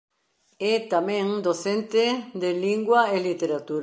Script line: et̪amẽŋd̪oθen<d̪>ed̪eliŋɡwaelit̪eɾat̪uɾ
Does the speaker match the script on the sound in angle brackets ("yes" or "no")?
no